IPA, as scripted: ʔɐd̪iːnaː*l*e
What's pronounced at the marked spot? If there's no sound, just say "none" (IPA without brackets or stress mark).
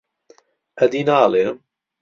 l